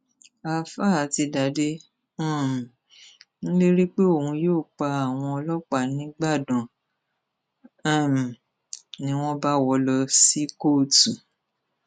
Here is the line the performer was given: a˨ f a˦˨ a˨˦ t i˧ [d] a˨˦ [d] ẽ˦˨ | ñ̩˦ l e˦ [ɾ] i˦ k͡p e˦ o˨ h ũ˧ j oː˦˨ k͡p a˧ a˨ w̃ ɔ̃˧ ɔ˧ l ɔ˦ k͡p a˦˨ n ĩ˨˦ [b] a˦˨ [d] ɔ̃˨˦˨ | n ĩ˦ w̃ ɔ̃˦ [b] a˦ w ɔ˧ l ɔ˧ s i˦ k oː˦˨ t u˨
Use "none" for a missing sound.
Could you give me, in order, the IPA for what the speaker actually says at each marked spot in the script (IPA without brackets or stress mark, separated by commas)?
d, d, ɾ, ɡ͡b, d, b